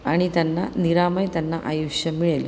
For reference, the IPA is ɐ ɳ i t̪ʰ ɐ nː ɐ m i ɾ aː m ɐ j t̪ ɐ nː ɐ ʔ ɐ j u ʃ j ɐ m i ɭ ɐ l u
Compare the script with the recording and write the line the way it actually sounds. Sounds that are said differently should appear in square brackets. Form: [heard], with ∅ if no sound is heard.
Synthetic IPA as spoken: ɐ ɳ i [t̪] ɐ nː ɐ [n] i ɾ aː m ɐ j t̪ ɐ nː ɐ ʔ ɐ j u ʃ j ɐ m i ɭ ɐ l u